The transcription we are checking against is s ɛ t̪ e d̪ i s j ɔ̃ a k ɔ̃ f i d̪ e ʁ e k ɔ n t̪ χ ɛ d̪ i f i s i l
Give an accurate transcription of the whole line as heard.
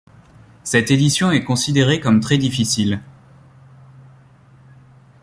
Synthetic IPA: s ɛ t̪ e d̪ i s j ɔ̃ ɛ k ɔ̃ s i d̪ e ʁ e k ɔ m t̪ χ ɛ d̪ i f i s i l

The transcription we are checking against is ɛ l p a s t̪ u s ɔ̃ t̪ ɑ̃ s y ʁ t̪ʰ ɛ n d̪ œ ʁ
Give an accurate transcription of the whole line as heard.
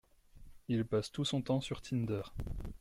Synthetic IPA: i l p a s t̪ u s ɔ̃ t̪ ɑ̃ s y ʁ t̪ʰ i n d̪ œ ʁ

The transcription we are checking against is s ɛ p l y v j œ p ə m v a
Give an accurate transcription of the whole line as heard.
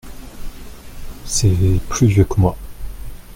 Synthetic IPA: s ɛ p l y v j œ k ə m w a

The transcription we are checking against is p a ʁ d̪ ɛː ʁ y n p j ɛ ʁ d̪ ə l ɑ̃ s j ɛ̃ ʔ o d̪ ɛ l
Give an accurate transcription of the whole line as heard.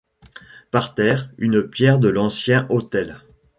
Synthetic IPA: p a ʁ t̪ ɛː ʁ y n p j ɛ ʁ d̪ ə l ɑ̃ s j ɛ̃ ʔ o t̪ ɛ l

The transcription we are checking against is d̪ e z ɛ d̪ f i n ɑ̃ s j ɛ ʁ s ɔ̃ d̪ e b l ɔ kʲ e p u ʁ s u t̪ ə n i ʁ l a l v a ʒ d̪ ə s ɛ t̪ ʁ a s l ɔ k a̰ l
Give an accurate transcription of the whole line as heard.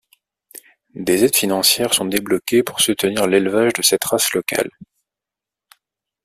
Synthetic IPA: d̪ e z ɛ d̪ f i n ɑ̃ s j ɛ ʁ s ɔ̃ d̪ e b l ɔ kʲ e p u ʁ s u t̪ ə n i ʁ l e l v a ʒ d̪ ə s ɛ t̪ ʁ a s l ɔ k a̰ l

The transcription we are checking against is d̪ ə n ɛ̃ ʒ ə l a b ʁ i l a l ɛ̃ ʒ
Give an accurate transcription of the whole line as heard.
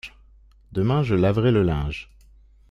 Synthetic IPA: d̪ ə m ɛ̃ ʒ ə l a v ʁ ɛ l ə l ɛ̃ ʒ

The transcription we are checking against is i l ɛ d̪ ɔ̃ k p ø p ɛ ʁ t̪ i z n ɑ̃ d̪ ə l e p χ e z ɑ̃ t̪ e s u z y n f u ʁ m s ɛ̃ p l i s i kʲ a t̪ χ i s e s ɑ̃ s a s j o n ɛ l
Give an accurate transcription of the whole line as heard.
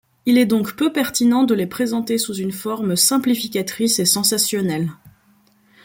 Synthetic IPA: i l ɛ d̪ ɔ̃ k p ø p ɛ ʁ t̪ i n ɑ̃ d̪ ə l e p χ e z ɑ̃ t̪ e s u z y n f ɔ ʁ m s ɛ̃ p l i f i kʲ a t̪ χ i s e s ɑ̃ s a s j ɔ n ɛ l

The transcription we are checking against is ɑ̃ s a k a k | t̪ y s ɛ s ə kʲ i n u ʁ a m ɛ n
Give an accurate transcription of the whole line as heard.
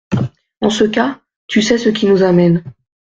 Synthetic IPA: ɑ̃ s ə k a | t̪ y s ɛ s ə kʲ i n u z a m ɛ n

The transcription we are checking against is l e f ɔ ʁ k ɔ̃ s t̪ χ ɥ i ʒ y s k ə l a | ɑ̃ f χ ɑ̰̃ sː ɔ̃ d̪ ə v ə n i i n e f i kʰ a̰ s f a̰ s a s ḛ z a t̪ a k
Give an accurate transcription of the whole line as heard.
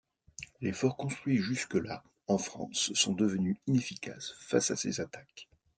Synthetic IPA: l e f ɔ ʁ k ɔ̃ s t̪ χ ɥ i ʒ y s k ə l a | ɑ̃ f χ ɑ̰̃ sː ɔ̃ d̪ ə v ə n y i n e f i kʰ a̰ s f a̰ s a s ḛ z a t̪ a k

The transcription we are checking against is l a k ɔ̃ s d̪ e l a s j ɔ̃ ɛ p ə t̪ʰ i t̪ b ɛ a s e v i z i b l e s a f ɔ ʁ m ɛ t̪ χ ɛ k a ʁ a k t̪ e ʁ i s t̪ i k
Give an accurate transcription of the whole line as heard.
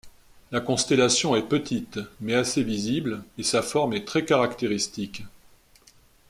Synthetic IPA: l a k ɔ̃ s t̪ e l a s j ɔ̃ ɛ p ə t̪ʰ i t̪ m ɛ a s e v i z i b l e s a f ɔ ʁ m ɛ t̪ χ ɛ k a ʁ a k t̪ e ʁ i s t̪ i k

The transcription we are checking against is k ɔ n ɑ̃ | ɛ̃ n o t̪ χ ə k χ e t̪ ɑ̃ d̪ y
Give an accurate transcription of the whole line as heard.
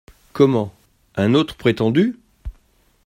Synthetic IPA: k ɔ m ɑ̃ | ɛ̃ n o t̪ χ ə p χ e t̪ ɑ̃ d̪ y

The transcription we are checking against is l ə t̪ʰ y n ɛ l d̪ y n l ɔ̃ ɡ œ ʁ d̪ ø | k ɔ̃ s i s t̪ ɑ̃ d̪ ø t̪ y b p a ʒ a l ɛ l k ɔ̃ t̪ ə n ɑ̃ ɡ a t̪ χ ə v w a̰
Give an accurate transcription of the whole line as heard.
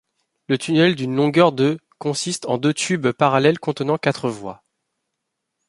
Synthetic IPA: l ə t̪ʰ y n ɛ l d̪ y n l ɔ̃ ɡ œ ʁ d̪ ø | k ɔ̃ s i s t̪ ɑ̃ d̪ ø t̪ y b p a ʁ a l ɛ l k ɔ̃ t̪ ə n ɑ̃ k a t̪ χ ə v w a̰

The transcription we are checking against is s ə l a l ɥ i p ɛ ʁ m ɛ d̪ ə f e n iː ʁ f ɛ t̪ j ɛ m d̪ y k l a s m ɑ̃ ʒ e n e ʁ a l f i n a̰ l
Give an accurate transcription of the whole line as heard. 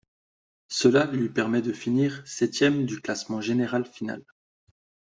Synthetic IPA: s ə l a l ɥ i p ɛ ʁ m ɛ d̪ ə f i n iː ʁ s ɛ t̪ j ɛ m d̪ y k l a s m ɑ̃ ʒ e n e ʁ a l f i n a̰ l

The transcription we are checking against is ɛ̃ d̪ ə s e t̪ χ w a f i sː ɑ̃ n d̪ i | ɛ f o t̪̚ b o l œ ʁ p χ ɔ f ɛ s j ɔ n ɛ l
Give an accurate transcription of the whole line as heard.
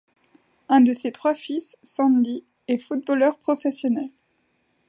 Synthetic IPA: ɛ̃ d̪ ə s e t̪ χ w a f i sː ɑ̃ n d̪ i | ɛ f u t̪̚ b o l œ ʁ p χ ɔ f ɛ s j ɔ n ɛ l

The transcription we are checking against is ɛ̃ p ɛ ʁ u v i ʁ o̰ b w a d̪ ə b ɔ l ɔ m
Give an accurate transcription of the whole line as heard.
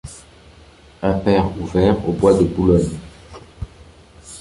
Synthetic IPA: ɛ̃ p ɛ ʁ u v ɛ ʁ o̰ b w a d̪ ə b u l ɔ ɲ

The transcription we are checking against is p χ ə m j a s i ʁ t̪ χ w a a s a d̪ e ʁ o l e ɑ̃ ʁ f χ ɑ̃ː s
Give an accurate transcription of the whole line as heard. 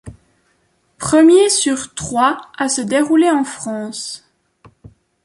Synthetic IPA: p χ ə m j e s y ʁ t̪ χ w a a s ə d̪ e ʁ u l e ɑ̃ f χ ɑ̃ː s

